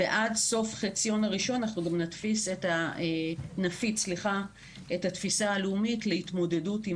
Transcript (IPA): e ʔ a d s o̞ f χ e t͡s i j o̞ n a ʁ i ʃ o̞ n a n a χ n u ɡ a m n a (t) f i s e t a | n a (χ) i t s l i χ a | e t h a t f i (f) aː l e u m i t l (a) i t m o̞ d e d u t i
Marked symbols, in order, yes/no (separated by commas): yes, no, no, no